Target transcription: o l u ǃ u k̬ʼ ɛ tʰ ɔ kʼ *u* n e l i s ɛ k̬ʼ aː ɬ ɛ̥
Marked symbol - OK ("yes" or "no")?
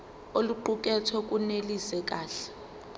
yes